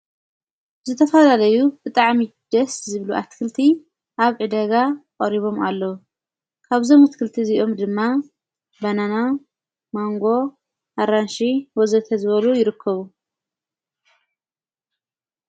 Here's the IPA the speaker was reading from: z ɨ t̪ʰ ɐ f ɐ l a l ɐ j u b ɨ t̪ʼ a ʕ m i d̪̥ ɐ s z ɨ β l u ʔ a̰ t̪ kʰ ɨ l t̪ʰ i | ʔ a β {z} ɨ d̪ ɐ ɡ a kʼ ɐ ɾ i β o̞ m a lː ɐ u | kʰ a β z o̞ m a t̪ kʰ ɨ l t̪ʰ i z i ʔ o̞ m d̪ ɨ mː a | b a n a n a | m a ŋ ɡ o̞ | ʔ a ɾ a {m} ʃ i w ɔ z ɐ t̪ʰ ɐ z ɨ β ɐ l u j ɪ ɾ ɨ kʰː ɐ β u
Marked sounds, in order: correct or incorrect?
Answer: incorrect, incorrect

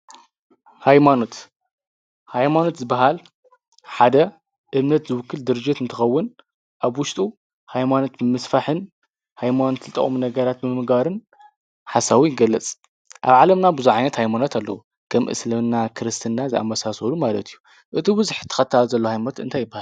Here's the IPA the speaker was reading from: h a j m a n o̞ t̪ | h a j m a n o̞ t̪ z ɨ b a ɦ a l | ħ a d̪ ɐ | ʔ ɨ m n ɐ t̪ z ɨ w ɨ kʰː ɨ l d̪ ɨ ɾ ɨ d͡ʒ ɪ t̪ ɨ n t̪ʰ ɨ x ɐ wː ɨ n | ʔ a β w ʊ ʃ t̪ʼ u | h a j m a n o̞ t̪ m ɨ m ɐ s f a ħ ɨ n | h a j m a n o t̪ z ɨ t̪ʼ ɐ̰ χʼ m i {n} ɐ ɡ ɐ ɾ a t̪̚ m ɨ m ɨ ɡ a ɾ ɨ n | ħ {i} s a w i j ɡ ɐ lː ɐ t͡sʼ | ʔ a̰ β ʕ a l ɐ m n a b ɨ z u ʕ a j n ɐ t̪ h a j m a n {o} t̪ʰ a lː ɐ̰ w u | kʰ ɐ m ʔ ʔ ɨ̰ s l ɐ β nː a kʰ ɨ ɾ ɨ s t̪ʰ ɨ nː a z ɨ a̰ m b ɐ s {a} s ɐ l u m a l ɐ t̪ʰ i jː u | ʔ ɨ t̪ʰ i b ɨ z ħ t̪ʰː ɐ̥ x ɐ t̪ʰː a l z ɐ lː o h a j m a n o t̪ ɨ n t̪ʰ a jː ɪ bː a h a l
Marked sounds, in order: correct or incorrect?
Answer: correct, incorrect, correct, correct

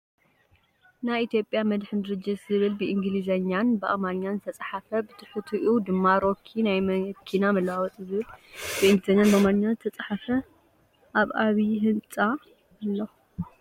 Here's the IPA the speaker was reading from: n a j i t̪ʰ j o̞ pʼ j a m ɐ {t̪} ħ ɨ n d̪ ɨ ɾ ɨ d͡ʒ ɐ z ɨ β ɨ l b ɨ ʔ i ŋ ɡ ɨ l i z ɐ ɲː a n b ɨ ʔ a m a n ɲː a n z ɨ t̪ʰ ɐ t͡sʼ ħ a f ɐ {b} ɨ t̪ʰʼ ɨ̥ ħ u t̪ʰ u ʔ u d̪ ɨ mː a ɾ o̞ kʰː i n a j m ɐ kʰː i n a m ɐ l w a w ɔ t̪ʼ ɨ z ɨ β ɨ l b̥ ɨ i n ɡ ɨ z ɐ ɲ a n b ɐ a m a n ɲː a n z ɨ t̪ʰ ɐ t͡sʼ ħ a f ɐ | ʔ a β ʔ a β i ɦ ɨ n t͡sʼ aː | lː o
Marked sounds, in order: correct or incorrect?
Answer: incorrect, correct

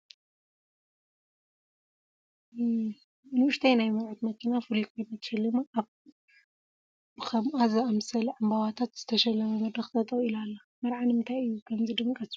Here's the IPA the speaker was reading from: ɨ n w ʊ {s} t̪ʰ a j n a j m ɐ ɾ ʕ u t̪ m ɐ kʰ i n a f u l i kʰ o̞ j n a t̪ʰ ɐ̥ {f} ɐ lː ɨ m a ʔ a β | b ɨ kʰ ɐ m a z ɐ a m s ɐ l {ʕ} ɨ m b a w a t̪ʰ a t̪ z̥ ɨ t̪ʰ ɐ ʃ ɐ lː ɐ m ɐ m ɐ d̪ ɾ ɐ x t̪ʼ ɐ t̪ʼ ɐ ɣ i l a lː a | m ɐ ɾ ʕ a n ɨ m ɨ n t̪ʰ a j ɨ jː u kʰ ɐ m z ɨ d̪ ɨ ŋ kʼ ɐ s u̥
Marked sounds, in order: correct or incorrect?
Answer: incorrect, incorrect, correct

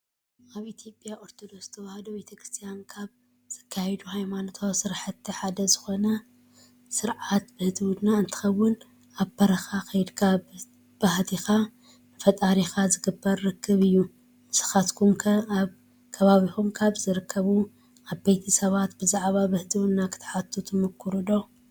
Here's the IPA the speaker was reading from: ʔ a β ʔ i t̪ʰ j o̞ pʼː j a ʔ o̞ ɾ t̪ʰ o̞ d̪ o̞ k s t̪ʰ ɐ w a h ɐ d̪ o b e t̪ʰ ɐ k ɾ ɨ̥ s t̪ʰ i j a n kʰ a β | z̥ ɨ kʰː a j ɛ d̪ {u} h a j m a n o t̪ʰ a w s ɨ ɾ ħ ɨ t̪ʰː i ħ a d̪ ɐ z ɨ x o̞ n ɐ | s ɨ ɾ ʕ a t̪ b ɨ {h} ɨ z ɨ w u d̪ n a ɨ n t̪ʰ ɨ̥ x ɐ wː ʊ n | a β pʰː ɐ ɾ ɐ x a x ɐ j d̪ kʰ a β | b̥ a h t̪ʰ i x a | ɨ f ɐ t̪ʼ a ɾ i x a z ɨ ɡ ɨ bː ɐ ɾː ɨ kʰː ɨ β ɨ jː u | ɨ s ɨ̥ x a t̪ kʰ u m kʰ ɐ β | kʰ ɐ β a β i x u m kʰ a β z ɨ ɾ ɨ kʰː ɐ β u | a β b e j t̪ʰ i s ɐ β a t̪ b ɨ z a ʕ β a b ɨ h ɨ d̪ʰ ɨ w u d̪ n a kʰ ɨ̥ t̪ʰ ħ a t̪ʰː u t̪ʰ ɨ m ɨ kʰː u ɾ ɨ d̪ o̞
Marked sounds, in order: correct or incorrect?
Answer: correct, correct

